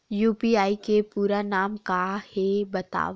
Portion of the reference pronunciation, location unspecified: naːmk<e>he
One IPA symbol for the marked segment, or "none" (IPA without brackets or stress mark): a